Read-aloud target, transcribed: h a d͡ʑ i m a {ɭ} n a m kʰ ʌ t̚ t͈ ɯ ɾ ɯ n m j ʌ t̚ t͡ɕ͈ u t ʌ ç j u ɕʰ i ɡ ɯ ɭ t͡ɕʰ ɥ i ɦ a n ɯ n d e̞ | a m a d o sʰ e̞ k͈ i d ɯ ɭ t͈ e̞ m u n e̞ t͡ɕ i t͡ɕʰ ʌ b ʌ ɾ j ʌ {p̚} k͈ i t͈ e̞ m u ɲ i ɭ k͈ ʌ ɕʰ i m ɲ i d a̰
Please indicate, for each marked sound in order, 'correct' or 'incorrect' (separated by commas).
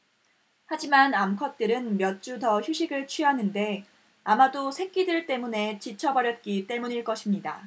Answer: incorrect, incorrect